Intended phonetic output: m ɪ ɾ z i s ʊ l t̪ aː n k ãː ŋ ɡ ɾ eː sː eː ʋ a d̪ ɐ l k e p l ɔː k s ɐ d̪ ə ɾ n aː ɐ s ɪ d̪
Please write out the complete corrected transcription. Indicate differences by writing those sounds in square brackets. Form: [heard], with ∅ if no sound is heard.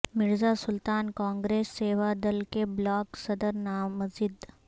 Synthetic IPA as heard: m ɪ ɾ z [a] s ʊ l t̪ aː n k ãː ŋ ɡ ɾ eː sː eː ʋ a d̪ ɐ l k e [b] l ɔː k s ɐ d̪ ə ɾ n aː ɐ [z] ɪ d̪